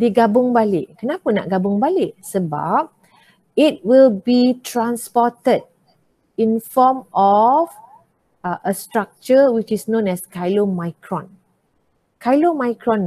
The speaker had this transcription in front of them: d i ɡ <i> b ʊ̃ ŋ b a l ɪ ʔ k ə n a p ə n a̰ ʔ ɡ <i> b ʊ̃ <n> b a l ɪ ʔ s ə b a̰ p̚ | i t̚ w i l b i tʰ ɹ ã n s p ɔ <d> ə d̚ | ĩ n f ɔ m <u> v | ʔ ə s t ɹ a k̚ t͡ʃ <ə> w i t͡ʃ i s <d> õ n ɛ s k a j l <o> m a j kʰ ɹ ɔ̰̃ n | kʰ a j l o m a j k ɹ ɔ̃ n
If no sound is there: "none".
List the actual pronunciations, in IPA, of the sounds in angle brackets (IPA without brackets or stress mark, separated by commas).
a, a, ŋ, t, ɔ, ə, n, o